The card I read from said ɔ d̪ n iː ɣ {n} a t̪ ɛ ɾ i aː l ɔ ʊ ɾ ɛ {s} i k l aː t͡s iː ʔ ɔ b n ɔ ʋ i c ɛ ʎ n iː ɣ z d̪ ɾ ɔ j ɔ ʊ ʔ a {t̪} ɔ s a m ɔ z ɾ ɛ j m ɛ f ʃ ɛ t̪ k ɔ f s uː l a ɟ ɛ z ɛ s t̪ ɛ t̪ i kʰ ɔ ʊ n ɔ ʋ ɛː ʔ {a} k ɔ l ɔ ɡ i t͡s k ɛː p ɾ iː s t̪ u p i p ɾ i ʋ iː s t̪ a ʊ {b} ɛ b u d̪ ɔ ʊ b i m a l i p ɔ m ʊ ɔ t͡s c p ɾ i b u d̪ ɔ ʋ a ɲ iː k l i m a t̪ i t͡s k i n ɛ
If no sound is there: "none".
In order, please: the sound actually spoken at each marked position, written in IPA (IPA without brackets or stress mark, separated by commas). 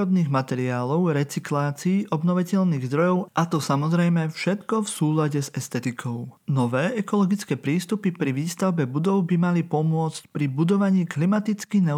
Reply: m, t͡s, t̪, ɛ, b